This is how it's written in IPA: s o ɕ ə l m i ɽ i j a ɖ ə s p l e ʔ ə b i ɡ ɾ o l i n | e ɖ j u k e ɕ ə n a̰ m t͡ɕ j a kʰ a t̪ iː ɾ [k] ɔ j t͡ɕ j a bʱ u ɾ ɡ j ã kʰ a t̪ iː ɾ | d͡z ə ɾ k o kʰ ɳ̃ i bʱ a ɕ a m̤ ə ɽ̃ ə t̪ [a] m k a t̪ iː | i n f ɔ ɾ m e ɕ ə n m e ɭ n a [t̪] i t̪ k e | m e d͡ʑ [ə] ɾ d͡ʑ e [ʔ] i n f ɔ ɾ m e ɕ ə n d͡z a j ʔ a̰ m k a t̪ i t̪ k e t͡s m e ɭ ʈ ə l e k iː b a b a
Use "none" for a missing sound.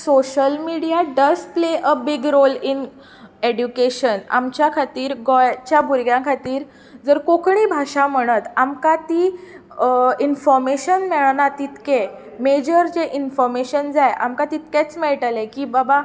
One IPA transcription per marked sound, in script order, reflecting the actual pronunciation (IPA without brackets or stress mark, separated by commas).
ɡ, a, t̪, ə, ʔ